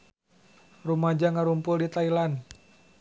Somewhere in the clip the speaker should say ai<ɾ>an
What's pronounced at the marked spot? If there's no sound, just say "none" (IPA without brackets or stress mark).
l